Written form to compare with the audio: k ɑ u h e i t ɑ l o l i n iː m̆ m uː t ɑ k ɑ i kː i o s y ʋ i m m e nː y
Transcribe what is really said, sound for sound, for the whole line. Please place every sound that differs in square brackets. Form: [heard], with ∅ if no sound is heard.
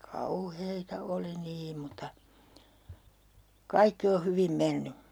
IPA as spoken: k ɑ u h e i t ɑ [∅] o l i n iː m̆ m [u] t ɑ k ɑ i kː i o [h] y ʋ i m m e nː y